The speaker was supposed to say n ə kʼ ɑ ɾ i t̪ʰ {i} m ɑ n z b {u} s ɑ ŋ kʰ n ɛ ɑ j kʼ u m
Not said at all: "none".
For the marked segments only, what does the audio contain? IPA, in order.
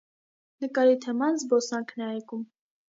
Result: ɛ, ɔ

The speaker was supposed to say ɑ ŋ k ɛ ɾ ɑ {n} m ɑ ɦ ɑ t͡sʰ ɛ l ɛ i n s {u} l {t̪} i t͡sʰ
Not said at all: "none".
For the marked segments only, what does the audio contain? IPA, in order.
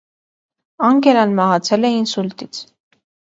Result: n, u, t̪

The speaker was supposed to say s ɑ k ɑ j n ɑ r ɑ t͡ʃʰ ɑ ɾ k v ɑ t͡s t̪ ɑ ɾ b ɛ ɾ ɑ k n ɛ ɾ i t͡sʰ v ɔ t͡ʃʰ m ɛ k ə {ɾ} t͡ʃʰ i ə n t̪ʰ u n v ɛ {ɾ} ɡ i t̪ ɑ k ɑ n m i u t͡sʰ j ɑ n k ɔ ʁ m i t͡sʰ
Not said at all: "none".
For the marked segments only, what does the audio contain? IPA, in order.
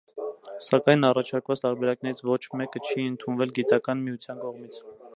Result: none, l

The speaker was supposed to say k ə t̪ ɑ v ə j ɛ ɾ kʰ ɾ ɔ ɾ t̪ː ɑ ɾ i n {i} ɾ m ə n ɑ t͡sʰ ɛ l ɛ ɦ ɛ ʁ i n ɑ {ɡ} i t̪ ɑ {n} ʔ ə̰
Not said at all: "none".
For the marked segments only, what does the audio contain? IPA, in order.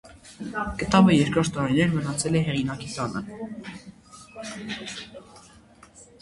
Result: ɛ, k, n

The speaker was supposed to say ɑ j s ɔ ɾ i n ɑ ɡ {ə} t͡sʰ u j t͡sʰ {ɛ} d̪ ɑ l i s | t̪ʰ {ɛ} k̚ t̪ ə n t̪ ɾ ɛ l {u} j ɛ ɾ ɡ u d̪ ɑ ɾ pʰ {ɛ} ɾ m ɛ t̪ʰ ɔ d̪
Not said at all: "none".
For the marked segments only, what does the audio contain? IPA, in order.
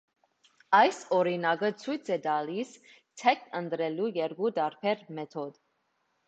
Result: ə, ɛ, ɛ, u, ɛ

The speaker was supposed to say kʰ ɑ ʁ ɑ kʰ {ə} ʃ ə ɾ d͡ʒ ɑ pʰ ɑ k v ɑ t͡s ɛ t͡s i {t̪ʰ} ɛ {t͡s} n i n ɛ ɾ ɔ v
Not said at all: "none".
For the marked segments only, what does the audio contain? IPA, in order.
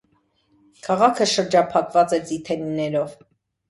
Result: ə, t̪ʰ, none

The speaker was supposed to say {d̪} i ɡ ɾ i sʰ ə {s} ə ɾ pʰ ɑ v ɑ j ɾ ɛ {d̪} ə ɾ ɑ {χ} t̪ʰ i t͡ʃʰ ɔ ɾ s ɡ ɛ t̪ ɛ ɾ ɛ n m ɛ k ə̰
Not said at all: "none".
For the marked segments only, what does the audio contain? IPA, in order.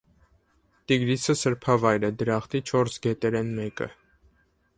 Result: t̪, s, d̪, χ

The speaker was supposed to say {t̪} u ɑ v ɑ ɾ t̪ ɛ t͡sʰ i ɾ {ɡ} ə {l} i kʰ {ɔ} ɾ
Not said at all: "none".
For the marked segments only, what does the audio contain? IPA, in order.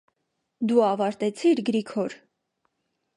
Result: d̪, ɡ, ɾ, ɔ

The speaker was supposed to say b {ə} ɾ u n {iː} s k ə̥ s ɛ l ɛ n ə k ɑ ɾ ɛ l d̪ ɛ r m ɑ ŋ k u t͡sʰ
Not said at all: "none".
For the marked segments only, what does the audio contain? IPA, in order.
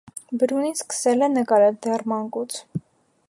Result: ə, i

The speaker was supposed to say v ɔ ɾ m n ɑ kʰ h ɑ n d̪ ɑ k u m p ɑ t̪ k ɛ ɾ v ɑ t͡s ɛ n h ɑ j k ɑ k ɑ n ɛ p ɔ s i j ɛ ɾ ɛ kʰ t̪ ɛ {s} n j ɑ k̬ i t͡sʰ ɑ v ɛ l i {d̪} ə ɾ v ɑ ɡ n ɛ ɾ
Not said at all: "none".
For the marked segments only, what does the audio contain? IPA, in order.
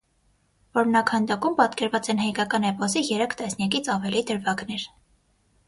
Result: s, d̪

